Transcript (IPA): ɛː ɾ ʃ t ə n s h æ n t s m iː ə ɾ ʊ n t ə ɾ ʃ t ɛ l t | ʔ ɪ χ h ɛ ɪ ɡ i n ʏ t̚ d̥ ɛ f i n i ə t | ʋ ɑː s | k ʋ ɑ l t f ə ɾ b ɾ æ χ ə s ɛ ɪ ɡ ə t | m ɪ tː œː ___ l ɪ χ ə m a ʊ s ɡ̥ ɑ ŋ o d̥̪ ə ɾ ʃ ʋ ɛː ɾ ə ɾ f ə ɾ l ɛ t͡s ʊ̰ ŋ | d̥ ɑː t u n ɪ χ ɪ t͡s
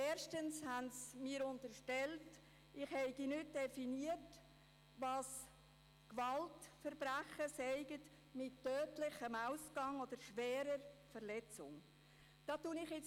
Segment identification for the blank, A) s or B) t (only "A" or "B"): B